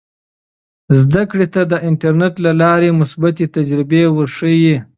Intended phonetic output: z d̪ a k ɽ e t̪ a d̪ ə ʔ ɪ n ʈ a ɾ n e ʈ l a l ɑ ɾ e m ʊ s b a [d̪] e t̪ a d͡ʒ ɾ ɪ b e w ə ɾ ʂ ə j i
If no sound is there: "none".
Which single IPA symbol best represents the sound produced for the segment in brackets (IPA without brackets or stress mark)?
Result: t̪